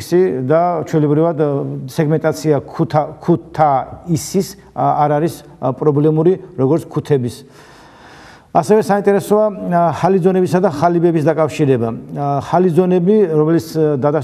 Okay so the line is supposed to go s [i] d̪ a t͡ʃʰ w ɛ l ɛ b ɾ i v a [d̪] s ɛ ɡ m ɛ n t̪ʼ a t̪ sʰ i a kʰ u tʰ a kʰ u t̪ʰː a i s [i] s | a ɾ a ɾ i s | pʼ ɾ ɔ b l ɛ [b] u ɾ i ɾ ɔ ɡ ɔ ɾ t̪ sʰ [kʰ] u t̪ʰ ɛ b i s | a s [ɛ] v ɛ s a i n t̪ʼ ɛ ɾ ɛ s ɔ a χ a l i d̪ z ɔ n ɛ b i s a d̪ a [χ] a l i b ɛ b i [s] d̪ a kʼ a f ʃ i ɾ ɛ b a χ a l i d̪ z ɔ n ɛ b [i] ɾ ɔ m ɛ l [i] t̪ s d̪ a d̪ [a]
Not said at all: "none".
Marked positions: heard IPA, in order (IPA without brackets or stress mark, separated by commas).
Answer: i, d̪, i, m, kʰ, ɛ, χ, s, i, i, a